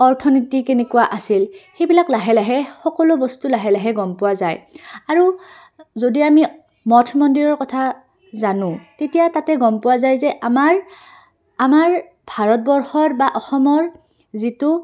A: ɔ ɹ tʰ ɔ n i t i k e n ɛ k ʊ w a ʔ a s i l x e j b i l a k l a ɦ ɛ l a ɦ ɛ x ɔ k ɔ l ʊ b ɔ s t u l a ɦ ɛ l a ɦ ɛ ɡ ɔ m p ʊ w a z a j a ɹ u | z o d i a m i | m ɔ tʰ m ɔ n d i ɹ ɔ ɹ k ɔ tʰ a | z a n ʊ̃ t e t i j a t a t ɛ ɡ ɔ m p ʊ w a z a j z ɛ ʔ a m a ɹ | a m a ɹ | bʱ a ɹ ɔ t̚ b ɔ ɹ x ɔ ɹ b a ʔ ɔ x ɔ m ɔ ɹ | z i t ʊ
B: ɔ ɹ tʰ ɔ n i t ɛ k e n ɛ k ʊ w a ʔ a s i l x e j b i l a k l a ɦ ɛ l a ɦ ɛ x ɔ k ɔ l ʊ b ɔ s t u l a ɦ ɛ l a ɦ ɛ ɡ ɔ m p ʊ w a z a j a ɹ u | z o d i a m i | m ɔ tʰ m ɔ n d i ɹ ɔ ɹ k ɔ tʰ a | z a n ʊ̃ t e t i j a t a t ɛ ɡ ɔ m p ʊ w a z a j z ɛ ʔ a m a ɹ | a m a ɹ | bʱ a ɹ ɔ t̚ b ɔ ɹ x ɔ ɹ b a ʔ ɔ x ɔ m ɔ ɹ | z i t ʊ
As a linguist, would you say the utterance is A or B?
A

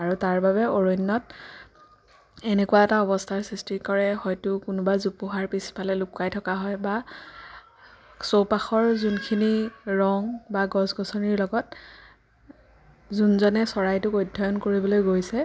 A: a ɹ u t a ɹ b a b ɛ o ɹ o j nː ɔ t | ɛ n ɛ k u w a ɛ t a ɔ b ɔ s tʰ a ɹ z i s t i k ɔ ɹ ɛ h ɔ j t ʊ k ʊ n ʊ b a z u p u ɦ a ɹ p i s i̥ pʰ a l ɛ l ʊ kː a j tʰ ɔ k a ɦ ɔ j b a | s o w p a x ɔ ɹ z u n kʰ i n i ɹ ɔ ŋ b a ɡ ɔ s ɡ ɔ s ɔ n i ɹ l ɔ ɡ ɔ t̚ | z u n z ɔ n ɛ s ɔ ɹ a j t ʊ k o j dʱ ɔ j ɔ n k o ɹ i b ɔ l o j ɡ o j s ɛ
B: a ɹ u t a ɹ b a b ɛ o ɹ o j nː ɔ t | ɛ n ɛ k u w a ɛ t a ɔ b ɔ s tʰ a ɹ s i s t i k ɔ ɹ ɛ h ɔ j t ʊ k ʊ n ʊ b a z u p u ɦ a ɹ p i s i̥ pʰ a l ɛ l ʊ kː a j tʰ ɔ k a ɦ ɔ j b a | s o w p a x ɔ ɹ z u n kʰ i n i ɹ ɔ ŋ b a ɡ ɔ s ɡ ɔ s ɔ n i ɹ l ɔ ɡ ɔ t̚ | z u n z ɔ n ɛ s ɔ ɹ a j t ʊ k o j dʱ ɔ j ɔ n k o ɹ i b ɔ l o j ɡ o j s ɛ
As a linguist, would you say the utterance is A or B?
B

